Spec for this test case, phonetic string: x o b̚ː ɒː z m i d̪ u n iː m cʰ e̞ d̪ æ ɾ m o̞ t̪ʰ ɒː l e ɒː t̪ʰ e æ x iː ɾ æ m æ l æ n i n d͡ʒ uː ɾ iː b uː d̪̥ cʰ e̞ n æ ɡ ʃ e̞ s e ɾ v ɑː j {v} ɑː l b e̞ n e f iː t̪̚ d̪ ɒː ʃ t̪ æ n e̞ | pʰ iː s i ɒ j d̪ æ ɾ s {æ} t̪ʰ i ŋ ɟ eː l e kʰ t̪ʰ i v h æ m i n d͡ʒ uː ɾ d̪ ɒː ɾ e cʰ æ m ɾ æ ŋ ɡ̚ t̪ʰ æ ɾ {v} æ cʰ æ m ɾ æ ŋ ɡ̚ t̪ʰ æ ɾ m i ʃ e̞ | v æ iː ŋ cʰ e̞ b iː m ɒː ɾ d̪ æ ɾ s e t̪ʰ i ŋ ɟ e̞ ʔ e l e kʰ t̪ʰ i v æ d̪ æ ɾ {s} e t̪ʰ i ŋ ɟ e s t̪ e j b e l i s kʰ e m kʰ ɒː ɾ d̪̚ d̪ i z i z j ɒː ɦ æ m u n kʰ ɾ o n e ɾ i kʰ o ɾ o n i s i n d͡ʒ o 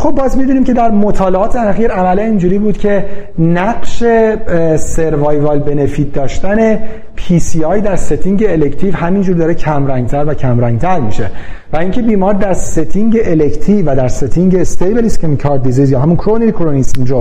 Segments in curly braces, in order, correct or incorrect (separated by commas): correct, incorrect, correct, correct